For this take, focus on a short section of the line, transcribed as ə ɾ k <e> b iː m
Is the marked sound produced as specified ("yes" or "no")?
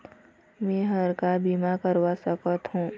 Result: no